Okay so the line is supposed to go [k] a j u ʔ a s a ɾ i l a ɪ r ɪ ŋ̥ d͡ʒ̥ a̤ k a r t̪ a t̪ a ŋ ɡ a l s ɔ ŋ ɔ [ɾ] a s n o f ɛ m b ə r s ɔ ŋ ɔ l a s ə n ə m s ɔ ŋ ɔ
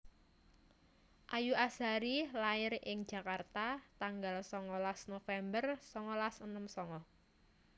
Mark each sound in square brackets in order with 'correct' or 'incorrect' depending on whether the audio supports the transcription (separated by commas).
incorrect, incorrect